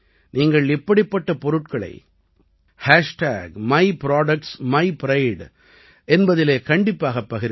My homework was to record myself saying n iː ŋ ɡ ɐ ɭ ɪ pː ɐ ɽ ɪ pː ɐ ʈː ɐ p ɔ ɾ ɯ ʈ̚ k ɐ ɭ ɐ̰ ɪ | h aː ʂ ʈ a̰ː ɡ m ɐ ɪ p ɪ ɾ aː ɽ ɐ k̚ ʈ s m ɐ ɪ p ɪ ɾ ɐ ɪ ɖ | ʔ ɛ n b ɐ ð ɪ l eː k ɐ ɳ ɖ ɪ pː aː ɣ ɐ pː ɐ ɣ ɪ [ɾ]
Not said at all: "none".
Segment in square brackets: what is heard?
ɾ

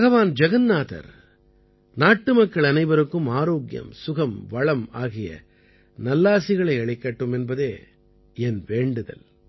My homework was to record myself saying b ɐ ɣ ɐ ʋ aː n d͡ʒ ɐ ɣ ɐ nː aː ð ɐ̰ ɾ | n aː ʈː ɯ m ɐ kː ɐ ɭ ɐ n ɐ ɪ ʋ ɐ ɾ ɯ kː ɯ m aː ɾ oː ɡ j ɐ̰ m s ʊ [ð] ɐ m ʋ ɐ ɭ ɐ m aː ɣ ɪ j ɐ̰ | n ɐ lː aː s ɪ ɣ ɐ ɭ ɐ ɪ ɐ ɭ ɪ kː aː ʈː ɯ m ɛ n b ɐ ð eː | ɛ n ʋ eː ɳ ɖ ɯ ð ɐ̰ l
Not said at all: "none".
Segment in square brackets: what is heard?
ɣ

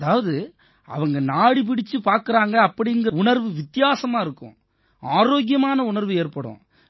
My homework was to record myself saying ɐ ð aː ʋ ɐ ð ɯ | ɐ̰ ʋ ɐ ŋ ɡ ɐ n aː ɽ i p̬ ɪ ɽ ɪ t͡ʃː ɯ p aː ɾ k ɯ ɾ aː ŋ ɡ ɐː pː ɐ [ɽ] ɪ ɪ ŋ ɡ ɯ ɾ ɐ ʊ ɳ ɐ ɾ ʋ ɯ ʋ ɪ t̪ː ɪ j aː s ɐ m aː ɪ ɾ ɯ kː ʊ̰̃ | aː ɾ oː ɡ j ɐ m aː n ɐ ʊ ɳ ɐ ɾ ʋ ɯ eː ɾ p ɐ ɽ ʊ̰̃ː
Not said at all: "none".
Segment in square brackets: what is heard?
ɽ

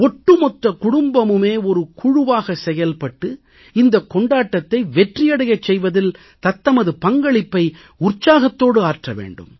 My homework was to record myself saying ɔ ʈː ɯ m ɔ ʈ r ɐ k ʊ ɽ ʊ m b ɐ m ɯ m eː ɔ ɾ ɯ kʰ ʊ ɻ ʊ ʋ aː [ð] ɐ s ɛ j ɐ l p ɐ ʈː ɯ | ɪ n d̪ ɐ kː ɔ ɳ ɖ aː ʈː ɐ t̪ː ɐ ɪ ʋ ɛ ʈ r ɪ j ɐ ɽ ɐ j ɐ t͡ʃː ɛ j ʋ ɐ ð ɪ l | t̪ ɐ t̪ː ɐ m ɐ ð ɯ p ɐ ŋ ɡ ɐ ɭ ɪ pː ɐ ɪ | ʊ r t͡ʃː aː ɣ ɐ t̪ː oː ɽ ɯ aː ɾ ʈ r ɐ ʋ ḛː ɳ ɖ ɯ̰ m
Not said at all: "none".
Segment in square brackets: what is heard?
ɣ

